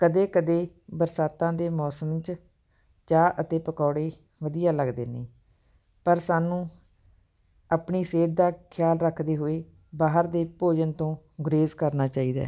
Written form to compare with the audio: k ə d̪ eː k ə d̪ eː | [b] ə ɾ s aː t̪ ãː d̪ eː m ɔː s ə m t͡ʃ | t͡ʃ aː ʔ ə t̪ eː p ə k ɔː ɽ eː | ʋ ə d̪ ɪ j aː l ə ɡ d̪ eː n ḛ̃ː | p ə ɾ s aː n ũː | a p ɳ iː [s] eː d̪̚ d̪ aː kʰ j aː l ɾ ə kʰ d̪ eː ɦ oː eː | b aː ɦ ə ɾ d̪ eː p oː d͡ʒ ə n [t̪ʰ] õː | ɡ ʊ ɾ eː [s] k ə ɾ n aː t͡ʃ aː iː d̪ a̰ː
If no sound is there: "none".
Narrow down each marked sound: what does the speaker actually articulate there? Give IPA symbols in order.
b, s, t̪, z

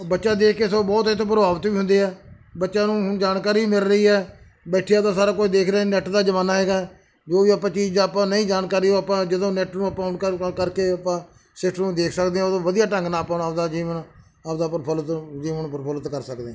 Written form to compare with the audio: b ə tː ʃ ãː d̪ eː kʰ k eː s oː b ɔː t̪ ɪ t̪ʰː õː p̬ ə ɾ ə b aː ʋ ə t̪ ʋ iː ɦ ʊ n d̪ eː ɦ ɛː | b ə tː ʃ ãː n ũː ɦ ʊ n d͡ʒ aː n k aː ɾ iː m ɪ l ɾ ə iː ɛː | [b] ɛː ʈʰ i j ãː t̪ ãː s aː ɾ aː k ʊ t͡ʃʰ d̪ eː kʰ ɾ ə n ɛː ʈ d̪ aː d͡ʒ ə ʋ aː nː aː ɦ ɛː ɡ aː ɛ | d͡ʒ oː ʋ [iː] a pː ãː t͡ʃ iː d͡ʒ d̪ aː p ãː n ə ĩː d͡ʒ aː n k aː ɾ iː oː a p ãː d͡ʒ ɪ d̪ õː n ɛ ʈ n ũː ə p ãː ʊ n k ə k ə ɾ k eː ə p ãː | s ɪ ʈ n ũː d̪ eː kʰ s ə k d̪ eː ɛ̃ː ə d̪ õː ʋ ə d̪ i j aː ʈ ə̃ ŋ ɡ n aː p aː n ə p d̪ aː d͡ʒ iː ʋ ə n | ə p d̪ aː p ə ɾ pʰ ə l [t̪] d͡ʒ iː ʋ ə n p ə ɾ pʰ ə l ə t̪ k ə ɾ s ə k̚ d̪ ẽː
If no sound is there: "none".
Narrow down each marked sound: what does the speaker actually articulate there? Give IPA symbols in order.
b, iː, t̪

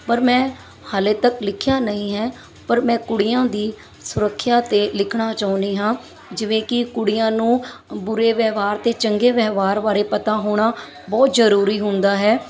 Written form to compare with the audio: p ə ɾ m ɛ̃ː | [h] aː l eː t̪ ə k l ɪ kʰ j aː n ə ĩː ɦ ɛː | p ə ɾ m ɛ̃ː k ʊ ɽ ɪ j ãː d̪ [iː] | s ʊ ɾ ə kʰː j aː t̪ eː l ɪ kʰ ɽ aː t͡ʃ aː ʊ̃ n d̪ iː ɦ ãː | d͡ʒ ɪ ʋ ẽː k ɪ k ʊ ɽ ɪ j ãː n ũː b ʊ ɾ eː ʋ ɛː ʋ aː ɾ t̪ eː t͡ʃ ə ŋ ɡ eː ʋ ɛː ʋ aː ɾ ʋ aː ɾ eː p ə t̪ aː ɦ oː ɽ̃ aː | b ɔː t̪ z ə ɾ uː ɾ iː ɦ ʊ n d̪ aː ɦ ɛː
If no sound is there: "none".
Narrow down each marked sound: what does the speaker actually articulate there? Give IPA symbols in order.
h, iː

